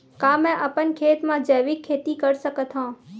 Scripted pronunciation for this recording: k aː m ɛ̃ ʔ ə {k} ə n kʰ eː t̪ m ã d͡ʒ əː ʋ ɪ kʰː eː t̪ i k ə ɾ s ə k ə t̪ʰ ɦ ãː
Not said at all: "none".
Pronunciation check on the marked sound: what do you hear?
p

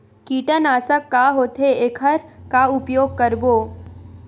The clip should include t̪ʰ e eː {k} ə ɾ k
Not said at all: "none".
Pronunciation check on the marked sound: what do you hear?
kʰ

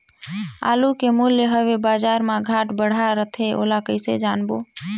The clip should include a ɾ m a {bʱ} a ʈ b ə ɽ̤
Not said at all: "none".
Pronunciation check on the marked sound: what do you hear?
ɡʱ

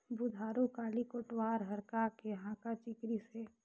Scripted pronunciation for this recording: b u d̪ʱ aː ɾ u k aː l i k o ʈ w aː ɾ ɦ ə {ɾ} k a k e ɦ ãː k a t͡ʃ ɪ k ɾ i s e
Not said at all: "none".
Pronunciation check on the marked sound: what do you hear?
ɾ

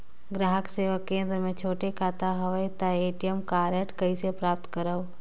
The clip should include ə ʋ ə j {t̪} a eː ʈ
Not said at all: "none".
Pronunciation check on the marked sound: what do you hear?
t̪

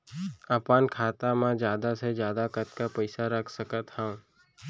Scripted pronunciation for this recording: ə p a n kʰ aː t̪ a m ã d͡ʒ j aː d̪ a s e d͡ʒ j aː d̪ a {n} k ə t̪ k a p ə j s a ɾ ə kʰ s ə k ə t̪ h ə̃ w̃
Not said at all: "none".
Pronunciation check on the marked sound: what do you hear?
none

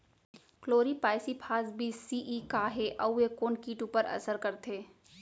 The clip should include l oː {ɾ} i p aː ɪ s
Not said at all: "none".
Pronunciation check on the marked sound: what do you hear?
ɾ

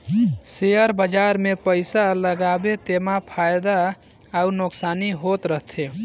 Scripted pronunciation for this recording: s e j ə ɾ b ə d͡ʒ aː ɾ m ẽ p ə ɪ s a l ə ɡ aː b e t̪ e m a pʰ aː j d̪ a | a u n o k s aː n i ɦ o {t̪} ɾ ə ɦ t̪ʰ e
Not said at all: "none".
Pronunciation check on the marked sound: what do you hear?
t̪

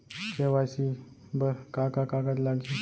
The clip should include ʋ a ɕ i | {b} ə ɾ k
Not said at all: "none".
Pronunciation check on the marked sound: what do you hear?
b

